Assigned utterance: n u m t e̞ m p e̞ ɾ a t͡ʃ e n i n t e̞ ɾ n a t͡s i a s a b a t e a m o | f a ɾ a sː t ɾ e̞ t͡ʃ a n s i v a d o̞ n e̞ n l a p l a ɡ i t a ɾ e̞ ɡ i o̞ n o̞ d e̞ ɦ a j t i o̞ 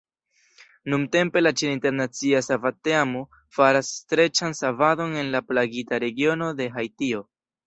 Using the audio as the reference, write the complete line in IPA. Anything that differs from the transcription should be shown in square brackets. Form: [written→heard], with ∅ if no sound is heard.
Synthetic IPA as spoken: n u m t e̞ m p e̞ [ɾ→l] a t͡ʃ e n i n t e̞ ɾ n a t͡s i a s a [b→v] a t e a m o | f a ɾ a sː t ɾ e̞ t͡ʃ a n s [i→a] v a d o̞ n e̞ n l a p l a ɡ i t a ɾ e̞ ɡ i o̞ n o̞ d e̞ ɦ a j t i o̞